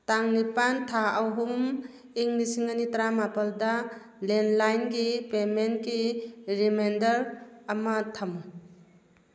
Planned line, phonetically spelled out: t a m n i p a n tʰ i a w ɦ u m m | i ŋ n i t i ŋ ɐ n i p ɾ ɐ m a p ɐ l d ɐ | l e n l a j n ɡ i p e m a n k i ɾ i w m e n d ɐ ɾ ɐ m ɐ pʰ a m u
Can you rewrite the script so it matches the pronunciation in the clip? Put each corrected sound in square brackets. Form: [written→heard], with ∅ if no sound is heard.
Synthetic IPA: t a [m→ŋ] n i p a n tʰ [i→a] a w ɦ u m m | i ŋ n i [t→s] i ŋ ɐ n i [p→t] ɾ [ɐ→a] m a p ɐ l d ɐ | l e n l a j n ɡ i p e m [a→e] n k i ɾ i [w→∅] m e n d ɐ ɾ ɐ m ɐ [pʰ→tʰ] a m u